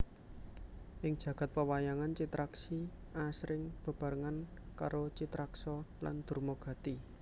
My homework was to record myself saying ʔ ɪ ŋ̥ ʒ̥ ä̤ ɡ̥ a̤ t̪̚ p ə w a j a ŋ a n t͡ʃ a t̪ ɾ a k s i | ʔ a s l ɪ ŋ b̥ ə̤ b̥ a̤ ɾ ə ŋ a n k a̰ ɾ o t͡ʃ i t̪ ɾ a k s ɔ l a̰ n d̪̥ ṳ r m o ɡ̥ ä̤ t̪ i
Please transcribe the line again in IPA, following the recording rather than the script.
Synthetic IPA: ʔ ɪ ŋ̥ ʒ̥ ä̤ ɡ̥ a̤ t̪̚ p ə w a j a ŋ a n t͡ʃ i t̪ ɾ a k s i | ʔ a s ɾ ɪ ŋ b̥ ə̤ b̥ a̤ ɾ ə ŋ a n k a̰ ɾ o t͡ʃ i t̪ ɾ a k s ɔ l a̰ n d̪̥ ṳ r m o ɡ̥ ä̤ t̪ i